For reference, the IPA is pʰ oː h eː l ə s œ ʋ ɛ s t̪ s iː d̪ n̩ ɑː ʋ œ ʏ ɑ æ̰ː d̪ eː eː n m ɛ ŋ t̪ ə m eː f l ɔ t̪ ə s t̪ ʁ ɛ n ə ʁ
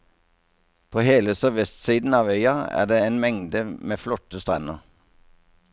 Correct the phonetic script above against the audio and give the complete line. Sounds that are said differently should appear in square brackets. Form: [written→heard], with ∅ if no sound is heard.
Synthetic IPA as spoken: pʰ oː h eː l ə s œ ʋ ɛ s t̪ s iː d̪ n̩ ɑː ʋ œ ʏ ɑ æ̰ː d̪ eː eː n m ɛ ŋ [t̪→d̪] ə m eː f l ɔ t̪ ə s t̪ ʁ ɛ n ə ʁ

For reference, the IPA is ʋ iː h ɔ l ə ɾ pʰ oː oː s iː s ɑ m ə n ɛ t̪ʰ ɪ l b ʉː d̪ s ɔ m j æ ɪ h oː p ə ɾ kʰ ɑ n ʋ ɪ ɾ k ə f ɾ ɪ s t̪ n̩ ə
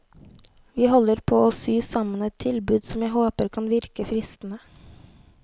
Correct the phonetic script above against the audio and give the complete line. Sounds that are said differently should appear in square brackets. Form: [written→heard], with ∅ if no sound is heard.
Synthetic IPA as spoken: ʋ iː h ɔ l ə ɾ pʰ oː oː s [iː→yː] s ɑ m ə n ɛ t̪ʰ ɪ l b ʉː d̪ s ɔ m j æ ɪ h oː p ə ɾ kʰ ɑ n ʋ ɪ ɾ k ə f ɾ ɪ s t̪ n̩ ə

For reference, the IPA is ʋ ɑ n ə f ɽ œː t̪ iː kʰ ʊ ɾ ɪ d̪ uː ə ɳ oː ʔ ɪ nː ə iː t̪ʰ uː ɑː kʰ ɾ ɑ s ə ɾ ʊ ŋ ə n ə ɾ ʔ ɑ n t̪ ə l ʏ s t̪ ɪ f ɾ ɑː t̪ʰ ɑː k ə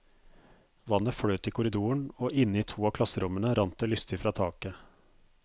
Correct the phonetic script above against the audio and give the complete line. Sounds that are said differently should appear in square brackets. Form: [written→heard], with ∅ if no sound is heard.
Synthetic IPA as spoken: ʋ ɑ n ə f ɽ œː t̪ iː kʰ ʊ ɾ ɪ d̪ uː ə ɳ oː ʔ ɪ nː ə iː t̪ʰ uː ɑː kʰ [ɾ→l] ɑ s ə ɾ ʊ [ŋ→m] ə n ə ɾ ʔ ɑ n t̪ ə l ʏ s t̪ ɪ f ɾ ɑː t̪ʰ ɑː k ə

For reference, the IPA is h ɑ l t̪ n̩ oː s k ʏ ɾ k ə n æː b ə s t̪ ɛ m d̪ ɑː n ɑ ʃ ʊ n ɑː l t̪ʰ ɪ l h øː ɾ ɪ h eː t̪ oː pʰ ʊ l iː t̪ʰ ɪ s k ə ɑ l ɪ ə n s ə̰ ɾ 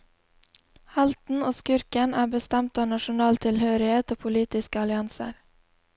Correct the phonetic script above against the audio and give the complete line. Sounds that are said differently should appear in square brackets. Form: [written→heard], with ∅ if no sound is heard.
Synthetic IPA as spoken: h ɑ l t̪ n̩ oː s k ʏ ɾ k ə n æː b ə s t̪ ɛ m [d̪→t̪] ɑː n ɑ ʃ ʊ n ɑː l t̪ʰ ɪ l h øː ɾ ɪ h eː t̪ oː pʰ ʊ l iː [t̪ʰ→t̪] ɪ s k ə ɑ l ɪ [ə→ɑ] n s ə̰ ɾ

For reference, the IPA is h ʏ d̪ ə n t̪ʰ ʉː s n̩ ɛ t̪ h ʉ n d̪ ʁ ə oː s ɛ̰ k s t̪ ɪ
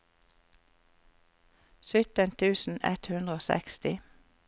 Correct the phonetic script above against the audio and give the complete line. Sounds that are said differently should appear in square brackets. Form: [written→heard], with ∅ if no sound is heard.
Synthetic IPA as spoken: [h→s] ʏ [d̪→t̪] ə n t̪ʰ ʉː s n̩ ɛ t̪ h ʉ n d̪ ʁ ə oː s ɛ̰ k s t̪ ɪ

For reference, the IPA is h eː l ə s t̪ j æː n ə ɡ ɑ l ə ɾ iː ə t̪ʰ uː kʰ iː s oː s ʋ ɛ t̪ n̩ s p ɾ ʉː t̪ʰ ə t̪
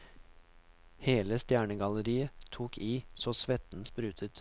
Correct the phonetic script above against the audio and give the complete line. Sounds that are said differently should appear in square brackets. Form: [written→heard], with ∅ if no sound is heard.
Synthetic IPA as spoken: h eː l ə s t̪ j æː [n→ɳ] ə ɡ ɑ l ə ɾ iː ə t̪ʰ uː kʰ iː s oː s ʋ ɛ t̪ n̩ s p ɾ ʉː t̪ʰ ə t̪

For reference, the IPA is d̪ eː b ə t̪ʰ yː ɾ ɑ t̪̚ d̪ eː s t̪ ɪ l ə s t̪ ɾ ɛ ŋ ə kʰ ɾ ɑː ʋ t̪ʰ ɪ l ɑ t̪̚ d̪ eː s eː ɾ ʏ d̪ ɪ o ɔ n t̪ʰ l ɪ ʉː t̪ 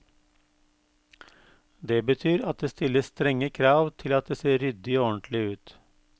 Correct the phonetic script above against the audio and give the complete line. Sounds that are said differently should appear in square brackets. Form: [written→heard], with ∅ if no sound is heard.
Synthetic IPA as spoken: d̪ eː b ə t̪ʰ yː ɾ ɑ t̪̚ d̪ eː s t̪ ɪ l ə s t̪ ɾ ɛ ŋ ə kʰ ɾ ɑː ʋ t̪ʰ ɪ l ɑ t̪̚ d̪ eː s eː ɾ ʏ d̪ ɪ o ɔ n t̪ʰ l ɪ ʉː t̪

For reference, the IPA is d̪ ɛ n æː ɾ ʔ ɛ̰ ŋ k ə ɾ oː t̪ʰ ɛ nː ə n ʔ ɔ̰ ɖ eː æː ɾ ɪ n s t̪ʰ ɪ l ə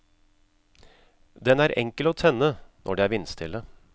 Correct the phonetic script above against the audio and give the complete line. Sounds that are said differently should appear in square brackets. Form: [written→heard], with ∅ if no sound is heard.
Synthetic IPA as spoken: d̪ ɛ n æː ɾ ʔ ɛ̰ ŋ k ə [ɾ→l] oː t̪ʰ ɛ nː ə n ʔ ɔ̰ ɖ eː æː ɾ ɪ n s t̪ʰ ɪ l ə

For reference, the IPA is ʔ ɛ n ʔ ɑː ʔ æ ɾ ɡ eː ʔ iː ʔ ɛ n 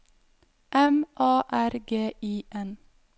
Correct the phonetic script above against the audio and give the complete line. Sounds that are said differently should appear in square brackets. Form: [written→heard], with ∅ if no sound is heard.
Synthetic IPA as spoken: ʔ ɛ [n→m] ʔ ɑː ʔ æ ɾ ɡ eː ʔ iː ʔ ɛ n

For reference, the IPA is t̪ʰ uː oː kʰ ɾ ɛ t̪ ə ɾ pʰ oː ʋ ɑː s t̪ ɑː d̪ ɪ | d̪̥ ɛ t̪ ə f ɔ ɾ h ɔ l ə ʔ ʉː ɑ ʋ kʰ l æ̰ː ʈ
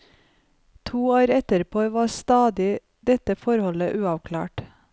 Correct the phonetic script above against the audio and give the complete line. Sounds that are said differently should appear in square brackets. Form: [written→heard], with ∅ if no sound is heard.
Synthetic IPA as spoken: t̪ʰ uː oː [kʰ→∅] ɾ ɛ t̪ ə ɾ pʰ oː ʋ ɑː s t̪ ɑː d̪ ɪ | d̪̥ ɛ t̪ ə f ɔ ɾ h ɔ l ə ʔ ʉː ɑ ʋ kʰ l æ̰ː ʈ

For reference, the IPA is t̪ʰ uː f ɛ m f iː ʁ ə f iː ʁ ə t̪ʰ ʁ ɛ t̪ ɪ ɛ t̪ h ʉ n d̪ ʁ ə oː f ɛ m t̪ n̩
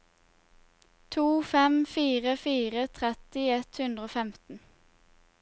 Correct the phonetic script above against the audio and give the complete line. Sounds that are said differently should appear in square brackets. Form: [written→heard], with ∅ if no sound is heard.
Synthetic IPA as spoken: t̪ʰ uː f ɛ m f iː ʁ ə f iː ʁ ə t̪ʰ ʁ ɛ t̪ ɪ ɛ t̪ h ʉ n d̪ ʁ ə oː f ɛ m t̪ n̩

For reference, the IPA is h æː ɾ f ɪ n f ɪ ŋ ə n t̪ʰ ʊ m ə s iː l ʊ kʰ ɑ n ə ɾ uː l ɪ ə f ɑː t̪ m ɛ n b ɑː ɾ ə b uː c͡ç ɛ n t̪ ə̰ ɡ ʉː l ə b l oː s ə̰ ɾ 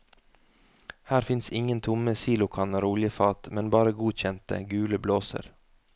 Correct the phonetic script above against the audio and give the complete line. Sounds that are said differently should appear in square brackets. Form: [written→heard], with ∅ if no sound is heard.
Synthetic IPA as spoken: h æː ɾ f ɪ n [f→s] ɪ ŋ ə n t̪ʰ ʊ m ə s iː l ʊ kʰ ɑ n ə ɾ uː l ɪ ə f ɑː t̪ m ɛ n b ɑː ɾ ə [b→ɡ] uː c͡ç ɛ n t̪ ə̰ ɡ ʉː l ə b l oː s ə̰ ɾ

